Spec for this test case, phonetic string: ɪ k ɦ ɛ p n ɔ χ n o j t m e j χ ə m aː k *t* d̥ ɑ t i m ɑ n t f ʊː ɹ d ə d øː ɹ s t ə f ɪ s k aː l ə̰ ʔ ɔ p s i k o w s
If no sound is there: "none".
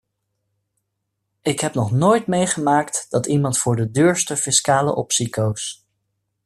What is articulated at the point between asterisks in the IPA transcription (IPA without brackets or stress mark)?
t